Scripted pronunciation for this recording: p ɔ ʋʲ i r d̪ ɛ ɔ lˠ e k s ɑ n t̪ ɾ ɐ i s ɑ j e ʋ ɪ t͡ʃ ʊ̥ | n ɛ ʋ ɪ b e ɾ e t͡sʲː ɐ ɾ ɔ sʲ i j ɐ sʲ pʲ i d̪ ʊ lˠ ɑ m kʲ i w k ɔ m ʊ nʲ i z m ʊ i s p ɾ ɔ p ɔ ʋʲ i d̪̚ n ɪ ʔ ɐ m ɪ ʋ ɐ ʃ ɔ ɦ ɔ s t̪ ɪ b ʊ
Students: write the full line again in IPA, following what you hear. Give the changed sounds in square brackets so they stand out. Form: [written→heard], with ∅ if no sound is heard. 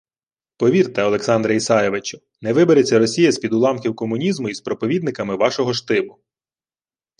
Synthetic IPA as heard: p ɔ ʋʲ i r [d̪→t̪] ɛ ɔ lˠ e k s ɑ n [t̪→d̪] ɾ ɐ i s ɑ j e ʋ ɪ t͡ʃ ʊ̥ | n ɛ ʋ ɪ b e ɾ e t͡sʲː ɐ ɾ ɔ sʲ i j ɐ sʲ pʲ i d̪ ʊ lˠ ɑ m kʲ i w k ɔ m ʊ nʲ i z m ʊ i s p ɾ ɔ p ɔ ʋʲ i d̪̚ n ɪ [ʔ→k] ɐ m ɪ ʋ [ɐ→ɑ] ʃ ɔ ɦ ɔ [s→ʃ] t̪ ɪ b ʊ